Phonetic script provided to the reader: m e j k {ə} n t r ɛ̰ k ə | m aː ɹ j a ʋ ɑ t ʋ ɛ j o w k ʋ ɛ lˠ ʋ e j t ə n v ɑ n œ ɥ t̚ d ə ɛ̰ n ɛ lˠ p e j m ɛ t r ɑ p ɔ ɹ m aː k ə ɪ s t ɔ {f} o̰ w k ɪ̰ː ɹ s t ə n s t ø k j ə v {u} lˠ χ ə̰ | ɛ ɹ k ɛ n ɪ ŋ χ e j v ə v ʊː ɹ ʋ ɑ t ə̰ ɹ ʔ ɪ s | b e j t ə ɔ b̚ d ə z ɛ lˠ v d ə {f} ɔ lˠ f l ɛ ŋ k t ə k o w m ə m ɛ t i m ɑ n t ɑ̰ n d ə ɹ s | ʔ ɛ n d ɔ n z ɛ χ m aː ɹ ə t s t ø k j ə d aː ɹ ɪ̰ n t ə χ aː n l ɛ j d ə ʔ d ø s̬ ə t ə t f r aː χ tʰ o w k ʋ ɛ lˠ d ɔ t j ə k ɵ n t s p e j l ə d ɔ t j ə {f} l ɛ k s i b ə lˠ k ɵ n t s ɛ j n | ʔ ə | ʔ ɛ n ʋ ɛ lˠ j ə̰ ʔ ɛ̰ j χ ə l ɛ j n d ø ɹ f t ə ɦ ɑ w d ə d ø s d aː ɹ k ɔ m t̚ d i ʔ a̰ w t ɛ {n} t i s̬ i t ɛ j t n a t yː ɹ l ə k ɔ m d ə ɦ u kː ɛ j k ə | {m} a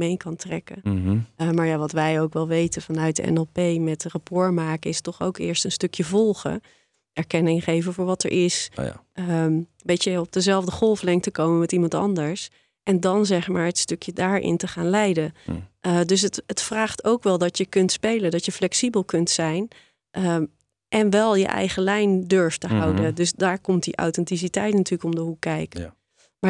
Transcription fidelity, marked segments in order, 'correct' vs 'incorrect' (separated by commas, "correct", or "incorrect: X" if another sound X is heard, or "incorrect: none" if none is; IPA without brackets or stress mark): incorrect: ɑ, incorrect: χ, incorrect: ɔ, incorrect: χ, correct, correct, correct